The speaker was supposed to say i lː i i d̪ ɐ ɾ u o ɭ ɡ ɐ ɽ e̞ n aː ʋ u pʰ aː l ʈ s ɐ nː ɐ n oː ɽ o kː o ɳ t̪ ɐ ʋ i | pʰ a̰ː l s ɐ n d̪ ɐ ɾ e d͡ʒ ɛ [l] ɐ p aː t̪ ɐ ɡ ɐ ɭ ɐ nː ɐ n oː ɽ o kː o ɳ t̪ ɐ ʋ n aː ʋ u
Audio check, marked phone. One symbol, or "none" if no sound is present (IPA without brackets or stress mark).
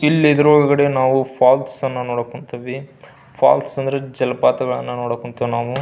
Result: l